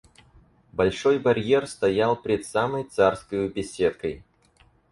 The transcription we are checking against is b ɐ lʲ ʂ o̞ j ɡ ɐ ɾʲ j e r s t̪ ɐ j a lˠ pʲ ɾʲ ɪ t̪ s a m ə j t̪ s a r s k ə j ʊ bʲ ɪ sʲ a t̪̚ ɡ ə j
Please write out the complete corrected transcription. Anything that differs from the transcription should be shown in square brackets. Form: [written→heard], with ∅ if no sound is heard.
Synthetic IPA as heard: b ɐ lʲ ʂ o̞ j [ɡ→b] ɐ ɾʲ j e r s t̪ ɐ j a lˠ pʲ ɾʲ ɪ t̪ s a m ə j t̪ s a r s k ə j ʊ bʲ ɪ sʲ [a→e] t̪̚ [ɡ→k] ə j